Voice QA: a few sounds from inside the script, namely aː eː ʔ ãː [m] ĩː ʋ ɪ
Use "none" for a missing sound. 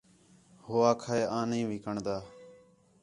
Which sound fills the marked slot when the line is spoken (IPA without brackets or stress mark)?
n